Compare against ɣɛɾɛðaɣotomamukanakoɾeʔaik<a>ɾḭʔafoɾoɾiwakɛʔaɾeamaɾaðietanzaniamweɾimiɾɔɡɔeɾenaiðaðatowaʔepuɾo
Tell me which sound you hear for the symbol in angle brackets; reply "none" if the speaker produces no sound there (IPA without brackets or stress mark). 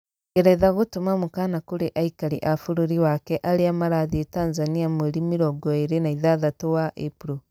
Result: a